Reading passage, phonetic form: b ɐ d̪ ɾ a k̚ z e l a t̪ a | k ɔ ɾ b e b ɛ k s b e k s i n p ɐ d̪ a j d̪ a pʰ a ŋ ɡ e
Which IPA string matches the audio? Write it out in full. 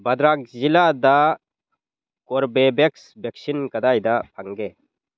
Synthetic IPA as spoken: b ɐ d̪ ɾ a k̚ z i l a d̪ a | k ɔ ɾ b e b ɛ k s b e k s i n k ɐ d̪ a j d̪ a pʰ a ŋ ɡ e